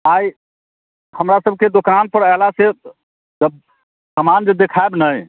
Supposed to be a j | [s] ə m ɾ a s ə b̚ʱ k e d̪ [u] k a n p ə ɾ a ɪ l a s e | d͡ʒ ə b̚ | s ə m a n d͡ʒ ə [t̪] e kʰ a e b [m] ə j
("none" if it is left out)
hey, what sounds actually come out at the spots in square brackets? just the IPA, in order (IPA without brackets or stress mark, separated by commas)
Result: h, o, d̪, n